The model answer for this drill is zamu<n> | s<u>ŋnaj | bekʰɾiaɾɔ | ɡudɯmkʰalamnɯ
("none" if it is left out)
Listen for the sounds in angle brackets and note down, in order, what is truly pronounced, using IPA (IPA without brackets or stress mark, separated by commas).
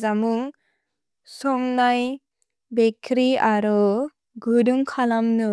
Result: ŋ, ɔ